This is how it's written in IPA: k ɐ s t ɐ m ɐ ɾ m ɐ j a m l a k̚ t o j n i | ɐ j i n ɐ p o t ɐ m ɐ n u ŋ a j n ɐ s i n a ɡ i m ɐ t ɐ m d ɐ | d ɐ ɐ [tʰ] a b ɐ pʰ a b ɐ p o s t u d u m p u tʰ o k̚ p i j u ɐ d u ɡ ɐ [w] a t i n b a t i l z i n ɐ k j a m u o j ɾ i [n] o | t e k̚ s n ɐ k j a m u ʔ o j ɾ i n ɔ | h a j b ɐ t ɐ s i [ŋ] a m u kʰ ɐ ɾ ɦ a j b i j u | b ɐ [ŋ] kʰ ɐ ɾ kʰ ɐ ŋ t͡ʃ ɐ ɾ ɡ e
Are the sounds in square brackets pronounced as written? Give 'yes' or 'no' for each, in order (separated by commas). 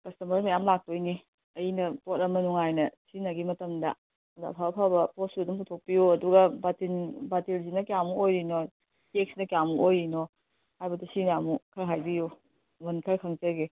no, no, yes, no, no